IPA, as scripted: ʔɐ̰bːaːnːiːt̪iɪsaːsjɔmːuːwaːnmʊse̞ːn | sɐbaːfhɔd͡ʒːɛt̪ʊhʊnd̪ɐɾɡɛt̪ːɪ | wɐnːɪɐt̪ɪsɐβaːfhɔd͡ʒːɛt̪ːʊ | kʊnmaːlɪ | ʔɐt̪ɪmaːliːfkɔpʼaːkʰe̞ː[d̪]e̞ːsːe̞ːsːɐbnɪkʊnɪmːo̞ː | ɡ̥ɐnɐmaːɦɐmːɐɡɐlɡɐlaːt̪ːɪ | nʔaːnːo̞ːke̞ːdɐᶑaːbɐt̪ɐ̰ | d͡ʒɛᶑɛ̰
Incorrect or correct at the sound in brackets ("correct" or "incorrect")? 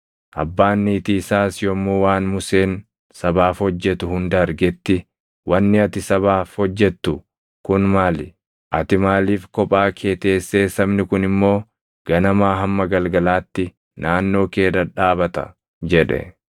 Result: incorrect